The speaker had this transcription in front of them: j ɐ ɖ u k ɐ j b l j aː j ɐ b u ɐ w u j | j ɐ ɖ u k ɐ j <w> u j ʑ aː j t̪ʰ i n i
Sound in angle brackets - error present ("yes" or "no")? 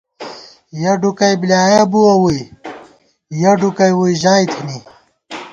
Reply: no